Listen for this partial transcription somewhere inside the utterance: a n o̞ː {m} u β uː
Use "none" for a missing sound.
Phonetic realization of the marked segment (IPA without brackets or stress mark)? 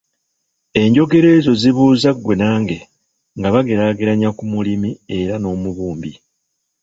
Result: m